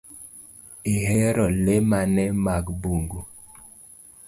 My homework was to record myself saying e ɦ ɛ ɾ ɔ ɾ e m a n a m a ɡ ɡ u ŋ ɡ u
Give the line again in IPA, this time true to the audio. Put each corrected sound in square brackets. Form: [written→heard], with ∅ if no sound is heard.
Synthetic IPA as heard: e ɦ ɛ ɾ ɔ [ɾ→l] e m a n [a→ɛ] m a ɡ [ɡ→b] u ŋ ɡ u